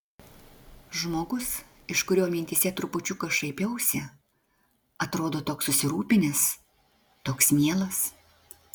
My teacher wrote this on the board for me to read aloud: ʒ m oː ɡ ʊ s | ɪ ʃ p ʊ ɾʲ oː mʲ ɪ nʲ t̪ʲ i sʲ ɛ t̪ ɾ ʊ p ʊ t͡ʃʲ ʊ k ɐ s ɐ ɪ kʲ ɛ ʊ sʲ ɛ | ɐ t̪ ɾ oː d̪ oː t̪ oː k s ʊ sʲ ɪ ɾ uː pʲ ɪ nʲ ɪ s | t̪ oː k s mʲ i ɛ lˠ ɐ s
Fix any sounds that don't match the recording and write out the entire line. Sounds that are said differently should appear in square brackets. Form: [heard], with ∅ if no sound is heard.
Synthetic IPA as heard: ʒ m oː ɡ ʊ s | ɪ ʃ [k] ʊ ɾʲ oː mʲ ɪ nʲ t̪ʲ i sʲ ɛ t̪ ɾ ʊ p ʊ t͡ʃʲ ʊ k ɐ [ʃ] ɐ ɪ [pʲ] ɛ ʊ sʲ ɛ | ɐ t̪ ɾ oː d̪ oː t̪ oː k s ʊ sʲ ɪ ɾ uː pʲ ɪ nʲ ɪ s | t̪ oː k s mʲ i ɛ lˠ ɐ s